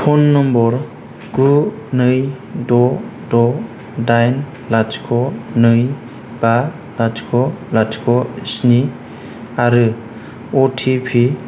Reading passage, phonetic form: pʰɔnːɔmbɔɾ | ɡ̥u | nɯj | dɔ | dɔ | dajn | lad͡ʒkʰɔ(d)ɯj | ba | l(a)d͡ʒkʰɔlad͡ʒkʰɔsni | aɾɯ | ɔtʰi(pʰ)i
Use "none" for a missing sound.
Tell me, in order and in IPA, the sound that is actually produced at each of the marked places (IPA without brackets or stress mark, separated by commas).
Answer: n, a, pʰ